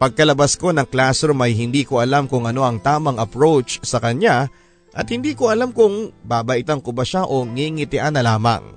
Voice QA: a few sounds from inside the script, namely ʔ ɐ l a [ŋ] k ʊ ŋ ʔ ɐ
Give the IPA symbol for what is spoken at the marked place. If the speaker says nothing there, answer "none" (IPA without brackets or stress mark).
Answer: m